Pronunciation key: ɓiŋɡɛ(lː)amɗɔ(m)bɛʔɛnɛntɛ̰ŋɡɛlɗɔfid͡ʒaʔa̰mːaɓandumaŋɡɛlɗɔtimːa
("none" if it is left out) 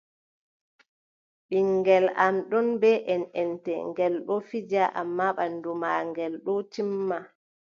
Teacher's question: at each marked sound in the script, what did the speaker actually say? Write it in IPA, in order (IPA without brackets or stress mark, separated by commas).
l, n